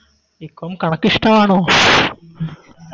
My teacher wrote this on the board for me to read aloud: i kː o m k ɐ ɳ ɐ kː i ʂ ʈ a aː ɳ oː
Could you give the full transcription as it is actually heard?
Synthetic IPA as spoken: i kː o m k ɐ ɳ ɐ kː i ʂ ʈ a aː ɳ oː